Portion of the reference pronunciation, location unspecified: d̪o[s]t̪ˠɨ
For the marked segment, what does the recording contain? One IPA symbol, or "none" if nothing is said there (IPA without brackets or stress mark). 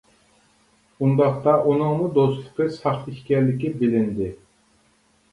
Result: s